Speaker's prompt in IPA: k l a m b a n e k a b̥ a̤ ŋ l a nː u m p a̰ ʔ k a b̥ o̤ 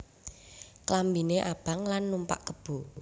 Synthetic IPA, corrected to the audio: k l a m b i n e ʔ a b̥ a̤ ŋ l a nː u m p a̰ ʔ k ə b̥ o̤